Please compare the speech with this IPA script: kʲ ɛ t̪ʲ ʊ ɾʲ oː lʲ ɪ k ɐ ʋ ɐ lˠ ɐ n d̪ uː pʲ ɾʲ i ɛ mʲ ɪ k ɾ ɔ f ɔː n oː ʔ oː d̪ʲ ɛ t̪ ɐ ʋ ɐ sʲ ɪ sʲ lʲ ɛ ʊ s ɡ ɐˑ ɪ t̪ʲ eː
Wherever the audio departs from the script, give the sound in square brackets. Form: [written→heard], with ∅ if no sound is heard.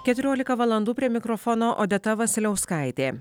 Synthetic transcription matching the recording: kʲ ɛ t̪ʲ ʊ ɾʲ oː lʲ ɪ k ɐ ʋ ɐ lˠ ɐ n d̪ uː pʲ ɾʲ i ɛ mʲ ɪ k ɾ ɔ f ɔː n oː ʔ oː d̪ʲ ɛ t̪ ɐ ʋ ɐ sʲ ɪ [sʲ→∅] lʲ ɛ ʊ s [ɡ→k] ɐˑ ɪ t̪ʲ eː